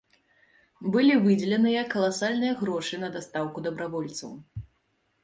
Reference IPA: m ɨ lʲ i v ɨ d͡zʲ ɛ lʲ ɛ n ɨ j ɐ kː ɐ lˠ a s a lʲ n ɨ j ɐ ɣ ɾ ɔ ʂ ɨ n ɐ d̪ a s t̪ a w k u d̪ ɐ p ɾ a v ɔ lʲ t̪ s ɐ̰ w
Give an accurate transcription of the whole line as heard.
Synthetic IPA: b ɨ lʲ i v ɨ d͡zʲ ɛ lʲ ɛ n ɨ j ɐ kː ɐ lˠ a s a lʲ n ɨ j ɐ ɣ ɾ ɔ ʂ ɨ n ɐ d̪ a s t̪ a w k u d̪ ɐ b ɾ a v ɔ lʲ t̪ s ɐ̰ w